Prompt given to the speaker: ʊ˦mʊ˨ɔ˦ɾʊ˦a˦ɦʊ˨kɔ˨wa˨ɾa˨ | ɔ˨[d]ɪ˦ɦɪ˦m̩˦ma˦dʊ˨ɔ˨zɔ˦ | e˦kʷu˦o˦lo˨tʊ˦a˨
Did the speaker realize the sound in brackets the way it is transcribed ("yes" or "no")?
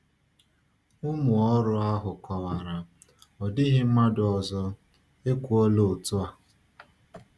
yes